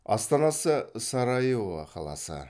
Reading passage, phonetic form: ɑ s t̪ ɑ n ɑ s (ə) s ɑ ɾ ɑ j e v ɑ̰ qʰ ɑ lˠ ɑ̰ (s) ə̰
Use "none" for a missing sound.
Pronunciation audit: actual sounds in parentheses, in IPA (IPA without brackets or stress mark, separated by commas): ə, s